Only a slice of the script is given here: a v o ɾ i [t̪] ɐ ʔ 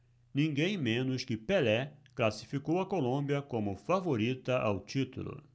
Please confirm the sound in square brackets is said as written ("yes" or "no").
yes